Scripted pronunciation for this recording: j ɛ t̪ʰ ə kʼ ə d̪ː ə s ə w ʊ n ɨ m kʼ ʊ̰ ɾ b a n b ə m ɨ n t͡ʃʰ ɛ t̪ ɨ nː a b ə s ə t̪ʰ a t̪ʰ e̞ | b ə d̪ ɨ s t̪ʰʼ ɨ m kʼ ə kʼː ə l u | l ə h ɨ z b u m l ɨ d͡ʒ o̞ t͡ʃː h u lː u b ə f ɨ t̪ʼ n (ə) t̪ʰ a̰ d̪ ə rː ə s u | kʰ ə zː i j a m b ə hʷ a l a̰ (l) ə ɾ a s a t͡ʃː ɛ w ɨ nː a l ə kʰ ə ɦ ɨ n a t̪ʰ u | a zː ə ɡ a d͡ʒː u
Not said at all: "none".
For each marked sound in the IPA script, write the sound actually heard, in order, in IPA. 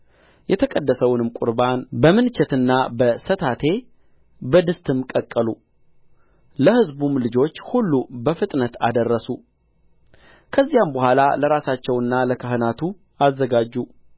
ə, l

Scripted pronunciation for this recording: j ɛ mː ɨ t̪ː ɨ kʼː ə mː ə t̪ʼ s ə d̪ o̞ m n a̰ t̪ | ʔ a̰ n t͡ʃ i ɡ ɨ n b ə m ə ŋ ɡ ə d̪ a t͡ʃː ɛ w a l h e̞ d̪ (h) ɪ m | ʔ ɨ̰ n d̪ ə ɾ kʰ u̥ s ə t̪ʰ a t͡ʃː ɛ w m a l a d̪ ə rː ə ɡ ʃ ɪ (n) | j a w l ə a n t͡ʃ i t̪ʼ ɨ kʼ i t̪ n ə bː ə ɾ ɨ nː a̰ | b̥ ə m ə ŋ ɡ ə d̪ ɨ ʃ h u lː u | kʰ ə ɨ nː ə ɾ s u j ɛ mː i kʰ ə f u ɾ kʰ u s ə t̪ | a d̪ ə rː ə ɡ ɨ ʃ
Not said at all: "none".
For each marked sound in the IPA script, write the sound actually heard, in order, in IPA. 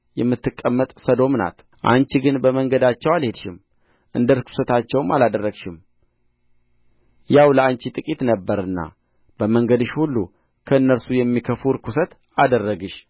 ʃ, m

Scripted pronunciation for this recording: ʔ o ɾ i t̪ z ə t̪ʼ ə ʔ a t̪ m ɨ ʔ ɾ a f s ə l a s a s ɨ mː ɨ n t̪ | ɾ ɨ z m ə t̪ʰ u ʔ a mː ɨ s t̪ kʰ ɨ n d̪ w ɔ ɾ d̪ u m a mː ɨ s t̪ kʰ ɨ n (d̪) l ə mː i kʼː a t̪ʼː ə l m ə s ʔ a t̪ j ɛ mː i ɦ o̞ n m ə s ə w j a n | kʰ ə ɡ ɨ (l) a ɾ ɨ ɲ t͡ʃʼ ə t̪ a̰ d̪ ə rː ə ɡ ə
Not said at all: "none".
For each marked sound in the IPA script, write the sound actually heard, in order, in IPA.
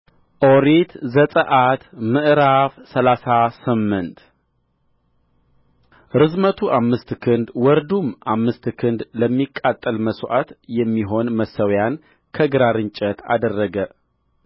d̪, ɾ

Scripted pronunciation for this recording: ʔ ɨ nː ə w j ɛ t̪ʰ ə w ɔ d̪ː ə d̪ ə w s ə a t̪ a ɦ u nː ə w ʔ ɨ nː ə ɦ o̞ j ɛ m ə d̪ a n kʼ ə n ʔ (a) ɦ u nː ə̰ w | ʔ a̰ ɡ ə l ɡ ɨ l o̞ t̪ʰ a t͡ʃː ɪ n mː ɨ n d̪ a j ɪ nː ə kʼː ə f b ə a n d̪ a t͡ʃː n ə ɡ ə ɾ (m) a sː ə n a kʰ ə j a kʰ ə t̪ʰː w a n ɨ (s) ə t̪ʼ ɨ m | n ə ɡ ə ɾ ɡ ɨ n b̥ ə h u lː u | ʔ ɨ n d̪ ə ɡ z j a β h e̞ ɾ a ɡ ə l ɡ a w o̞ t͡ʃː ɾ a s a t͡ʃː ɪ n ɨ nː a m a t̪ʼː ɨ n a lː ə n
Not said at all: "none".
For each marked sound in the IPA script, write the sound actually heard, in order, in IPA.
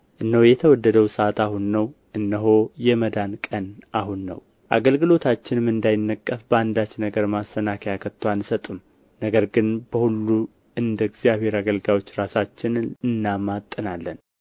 a, m, s

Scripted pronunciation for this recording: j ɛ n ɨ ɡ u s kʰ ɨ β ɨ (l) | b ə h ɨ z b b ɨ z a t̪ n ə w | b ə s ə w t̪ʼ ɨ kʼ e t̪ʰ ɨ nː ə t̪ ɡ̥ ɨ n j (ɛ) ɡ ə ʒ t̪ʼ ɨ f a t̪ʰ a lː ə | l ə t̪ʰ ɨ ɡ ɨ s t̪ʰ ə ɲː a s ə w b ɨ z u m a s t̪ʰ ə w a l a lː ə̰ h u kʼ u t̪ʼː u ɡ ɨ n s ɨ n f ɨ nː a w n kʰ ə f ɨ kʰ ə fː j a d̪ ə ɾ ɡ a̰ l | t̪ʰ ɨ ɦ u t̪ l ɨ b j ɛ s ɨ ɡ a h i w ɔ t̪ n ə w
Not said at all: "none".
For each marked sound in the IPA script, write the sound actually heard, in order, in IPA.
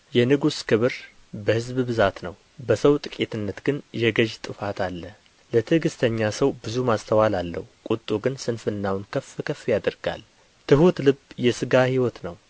ɾ, ɛ

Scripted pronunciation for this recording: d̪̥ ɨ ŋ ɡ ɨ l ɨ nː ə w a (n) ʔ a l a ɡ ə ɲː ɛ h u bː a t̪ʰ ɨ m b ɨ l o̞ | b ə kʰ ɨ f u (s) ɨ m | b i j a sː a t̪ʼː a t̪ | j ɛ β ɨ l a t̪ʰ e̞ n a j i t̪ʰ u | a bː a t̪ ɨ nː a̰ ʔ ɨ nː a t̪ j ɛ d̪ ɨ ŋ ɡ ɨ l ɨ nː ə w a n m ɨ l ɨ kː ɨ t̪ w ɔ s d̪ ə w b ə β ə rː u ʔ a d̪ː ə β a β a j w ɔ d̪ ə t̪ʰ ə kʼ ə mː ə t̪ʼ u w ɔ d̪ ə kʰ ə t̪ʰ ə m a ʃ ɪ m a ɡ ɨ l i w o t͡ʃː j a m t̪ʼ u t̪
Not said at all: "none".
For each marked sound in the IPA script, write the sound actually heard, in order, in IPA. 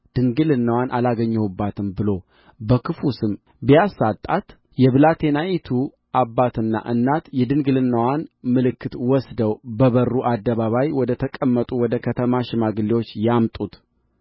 n, s

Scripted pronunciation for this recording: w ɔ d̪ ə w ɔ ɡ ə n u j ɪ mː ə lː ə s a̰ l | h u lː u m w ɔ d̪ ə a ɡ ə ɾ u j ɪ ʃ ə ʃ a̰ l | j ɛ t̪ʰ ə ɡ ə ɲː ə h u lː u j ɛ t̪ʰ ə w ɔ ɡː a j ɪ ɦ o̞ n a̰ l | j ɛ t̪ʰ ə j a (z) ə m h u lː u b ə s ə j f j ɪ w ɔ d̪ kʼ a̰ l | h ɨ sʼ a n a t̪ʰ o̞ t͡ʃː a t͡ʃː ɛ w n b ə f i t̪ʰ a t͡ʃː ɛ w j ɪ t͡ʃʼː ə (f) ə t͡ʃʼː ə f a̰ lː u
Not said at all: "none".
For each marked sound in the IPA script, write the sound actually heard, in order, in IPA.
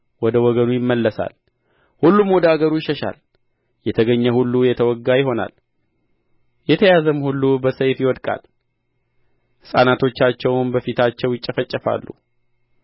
z, f

